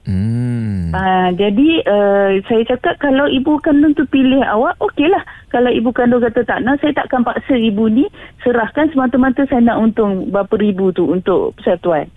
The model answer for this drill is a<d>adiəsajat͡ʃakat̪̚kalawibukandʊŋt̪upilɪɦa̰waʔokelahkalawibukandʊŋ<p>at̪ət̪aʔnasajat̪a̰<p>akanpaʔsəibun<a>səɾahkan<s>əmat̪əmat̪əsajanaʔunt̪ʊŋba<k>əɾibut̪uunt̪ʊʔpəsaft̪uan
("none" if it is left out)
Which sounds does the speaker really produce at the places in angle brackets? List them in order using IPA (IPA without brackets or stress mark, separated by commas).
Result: d͡ʒ, k, ʔ, i, s, p